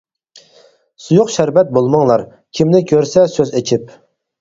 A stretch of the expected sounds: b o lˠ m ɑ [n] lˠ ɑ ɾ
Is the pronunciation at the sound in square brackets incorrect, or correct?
incorrect